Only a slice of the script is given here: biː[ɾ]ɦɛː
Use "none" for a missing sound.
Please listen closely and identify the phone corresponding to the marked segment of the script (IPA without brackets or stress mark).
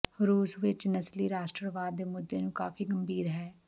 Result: ɾ